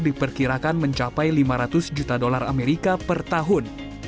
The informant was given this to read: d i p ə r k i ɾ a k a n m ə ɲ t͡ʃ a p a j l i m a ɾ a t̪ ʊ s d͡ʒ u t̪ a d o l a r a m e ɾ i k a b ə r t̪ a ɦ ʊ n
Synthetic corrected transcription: d i p ə r k i ɾ a k a n m ə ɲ t͡ʃ a p a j l i m a ɾ a t̪ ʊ s d͡ʒ u t̪ a d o l a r a m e ɾ i k a p ə r t̪ a ɦ ʊ n